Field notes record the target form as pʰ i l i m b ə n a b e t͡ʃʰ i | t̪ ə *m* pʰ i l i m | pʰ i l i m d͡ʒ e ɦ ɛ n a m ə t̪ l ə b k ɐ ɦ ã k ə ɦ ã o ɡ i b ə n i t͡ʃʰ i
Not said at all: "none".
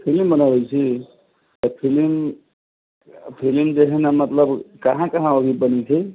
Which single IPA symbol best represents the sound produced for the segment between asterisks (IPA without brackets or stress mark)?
none